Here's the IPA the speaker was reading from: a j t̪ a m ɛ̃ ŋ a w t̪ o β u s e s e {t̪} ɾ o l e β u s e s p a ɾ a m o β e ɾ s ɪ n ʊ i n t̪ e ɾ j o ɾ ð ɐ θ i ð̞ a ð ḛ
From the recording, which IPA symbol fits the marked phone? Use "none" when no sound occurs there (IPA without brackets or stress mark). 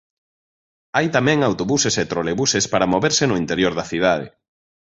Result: t̪